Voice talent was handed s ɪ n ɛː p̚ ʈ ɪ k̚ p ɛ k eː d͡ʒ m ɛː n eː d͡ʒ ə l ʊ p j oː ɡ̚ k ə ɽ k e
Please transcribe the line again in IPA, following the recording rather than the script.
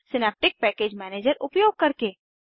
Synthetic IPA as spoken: s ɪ n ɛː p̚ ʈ ɪ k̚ p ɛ k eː d͡ʒ m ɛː n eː d͡ʒ ə ɾ ʊ p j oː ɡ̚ k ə ɾ k e